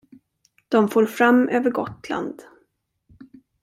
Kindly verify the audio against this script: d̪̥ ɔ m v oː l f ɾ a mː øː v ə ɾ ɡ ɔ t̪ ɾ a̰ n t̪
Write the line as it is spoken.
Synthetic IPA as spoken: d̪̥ ɔ m f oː ɾ f ɾ a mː øː v ə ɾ ɡ ɔ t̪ l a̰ n d̪